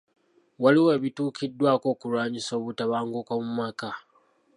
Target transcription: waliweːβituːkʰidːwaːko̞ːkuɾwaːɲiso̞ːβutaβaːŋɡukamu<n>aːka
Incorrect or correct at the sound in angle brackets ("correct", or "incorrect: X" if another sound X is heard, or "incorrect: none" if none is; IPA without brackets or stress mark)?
incorrect: m